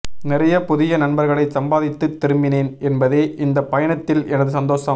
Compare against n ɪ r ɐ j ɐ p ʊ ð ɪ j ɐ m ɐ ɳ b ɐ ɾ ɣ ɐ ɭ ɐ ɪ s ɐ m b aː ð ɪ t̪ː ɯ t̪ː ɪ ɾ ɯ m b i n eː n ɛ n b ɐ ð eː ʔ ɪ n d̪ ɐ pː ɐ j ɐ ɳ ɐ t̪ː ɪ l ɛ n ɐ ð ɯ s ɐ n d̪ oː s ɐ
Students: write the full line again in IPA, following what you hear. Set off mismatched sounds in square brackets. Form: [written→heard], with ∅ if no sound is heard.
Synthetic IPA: n ɪ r ɐ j ɐ p ʊ ð ɪ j ɐ [m→n] ɐ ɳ b ɐ ɾ ɣ ɐ ɭ ɐ ɪ s ɐ m b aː ð ɪ t̪ː ɯ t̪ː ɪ ɾ ɯ m b [i→ɪ] n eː n ɛ n b ɐ ð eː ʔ ɪ n d̪ ɐ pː ɐ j ɐ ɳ ɐ t̪ː ɪ l ɛ n ɐ ð ɯ s ɐ n d̪ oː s ɐ